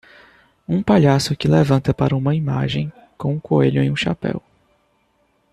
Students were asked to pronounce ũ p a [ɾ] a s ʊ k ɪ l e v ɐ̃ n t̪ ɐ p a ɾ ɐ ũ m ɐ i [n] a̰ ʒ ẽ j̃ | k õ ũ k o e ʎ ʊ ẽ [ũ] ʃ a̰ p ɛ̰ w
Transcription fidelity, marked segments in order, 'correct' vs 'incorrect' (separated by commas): incorrect, incorrect, correct